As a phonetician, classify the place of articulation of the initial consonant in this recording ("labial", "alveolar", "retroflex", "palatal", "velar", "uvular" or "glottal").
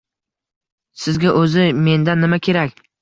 alveolar